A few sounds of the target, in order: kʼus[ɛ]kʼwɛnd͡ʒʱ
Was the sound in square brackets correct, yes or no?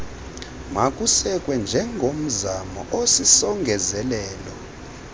yes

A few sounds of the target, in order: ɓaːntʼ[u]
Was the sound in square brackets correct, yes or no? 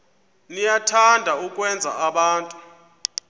yes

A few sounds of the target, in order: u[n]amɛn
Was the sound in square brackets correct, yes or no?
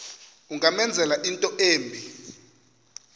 no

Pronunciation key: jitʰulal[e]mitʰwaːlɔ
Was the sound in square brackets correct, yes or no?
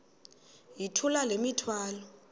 yes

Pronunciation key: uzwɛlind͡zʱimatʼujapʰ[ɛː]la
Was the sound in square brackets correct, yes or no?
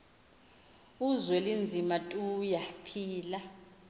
no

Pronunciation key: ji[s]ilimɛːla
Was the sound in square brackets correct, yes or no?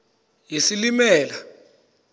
yes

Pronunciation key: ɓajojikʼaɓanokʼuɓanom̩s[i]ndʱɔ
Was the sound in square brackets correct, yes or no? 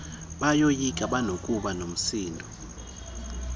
no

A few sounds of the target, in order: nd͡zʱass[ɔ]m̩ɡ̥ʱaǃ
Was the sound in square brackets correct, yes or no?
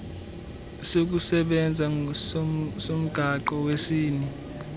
no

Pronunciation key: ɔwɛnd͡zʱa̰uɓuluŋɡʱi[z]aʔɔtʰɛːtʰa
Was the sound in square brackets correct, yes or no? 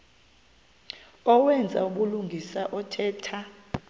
no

